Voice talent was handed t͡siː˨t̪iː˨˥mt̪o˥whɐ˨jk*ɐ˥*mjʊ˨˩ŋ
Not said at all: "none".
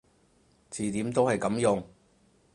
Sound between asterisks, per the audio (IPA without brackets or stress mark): ɐ˨˥